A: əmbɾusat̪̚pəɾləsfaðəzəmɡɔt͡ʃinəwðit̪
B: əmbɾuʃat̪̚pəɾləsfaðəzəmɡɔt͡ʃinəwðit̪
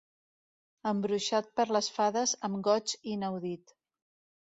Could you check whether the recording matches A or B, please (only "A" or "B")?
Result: B